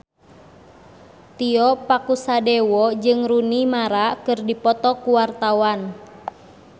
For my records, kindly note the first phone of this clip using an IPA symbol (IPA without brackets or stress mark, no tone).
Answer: t̪